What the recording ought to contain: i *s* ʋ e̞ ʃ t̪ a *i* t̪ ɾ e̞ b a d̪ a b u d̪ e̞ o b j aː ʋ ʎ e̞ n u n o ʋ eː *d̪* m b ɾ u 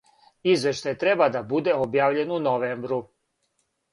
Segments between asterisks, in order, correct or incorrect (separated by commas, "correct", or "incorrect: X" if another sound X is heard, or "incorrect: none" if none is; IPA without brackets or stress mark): incorrect: z, incorrect: j, incorrect: none